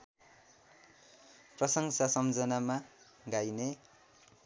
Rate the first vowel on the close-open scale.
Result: mid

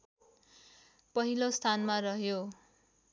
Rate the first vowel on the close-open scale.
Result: mid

